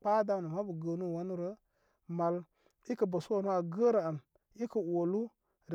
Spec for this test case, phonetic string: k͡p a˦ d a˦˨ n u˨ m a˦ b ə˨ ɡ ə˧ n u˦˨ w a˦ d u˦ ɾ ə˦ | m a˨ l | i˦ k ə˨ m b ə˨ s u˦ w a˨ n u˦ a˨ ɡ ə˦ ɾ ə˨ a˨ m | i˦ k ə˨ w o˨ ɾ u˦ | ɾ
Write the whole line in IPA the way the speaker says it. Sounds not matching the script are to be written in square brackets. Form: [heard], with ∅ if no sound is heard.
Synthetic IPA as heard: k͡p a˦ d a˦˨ n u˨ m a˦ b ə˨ ɡ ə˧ n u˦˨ w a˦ [n] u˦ ɾ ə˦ | m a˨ l | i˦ k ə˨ [∅] b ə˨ s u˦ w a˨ n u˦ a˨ ɡ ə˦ ɾ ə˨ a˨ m | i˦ k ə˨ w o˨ [l] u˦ | ɾ